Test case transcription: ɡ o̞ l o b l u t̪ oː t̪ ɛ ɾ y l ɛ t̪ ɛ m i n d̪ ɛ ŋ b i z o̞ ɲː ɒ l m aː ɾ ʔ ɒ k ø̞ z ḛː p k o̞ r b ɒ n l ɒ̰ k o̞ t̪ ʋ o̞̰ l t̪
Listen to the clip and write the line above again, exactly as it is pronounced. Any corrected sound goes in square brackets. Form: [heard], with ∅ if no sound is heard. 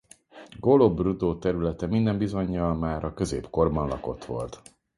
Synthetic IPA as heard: ɡ o̞ l o b [r] u [d̪] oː t̪ ɛ ɾ y l ɛ t̪ ɛ m i n d̪ ɛ [m] b i z o̞ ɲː ɒ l m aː ɾ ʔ ɒ k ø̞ z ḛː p k o̞ r b ɒ n l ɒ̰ k o̞ t̪ ʋ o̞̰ l t̪